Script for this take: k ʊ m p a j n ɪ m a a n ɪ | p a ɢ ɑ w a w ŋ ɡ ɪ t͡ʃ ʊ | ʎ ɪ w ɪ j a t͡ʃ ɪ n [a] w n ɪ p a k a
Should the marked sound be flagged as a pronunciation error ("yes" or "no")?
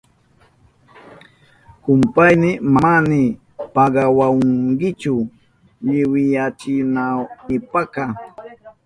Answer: no